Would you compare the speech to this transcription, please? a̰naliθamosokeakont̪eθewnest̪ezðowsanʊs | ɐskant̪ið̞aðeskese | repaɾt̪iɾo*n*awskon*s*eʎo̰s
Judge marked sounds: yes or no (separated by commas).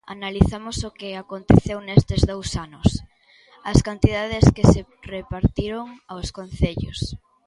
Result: no, no